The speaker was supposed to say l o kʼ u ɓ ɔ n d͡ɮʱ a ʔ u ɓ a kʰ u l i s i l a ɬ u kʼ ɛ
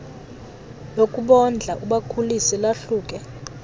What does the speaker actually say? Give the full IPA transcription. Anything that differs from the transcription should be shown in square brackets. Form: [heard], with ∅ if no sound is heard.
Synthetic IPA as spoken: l o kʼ u ɓ ɔ n d͡ɮʱ a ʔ u ɓ a kʰ u l i s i l a ɬ [uː] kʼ ɛ